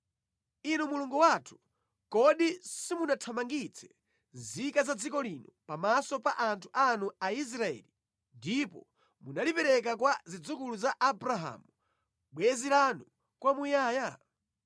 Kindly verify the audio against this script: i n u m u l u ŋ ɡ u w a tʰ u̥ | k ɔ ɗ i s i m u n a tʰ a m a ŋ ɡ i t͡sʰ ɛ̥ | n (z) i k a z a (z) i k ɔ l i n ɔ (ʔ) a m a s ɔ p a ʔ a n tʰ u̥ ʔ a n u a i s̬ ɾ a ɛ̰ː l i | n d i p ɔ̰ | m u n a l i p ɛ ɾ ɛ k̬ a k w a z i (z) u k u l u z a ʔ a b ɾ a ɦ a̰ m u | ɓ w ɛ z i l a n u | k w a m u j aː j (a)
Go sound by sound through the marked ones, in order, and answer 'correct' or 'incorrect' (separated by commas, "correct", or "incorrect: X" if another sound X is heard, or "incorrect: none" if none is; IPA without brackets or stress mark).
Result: correct, incorrect: d͡z, incorrect: p, incorrect: d͡z, correct